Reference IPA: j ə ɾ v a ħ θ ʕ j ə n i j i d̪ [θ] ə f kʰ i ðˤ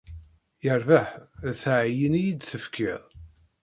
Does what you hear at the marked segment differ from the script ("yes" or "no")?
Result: no